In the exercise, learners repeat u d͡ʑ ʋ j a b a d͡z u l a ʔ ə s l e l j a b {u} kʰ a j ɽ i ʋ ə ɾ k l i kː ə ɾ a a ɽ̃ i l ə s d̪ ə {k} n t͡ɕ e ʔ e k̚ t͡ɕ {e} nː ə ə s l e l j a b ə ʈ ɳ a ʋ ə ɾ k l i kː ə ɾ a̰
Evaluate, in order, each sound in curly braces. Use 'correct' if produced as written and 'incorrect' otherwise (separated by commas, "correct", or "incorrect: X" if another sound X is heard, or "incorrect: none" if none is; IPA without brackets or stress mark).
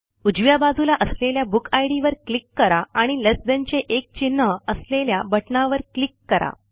correct, incorrect: none, incorrect: i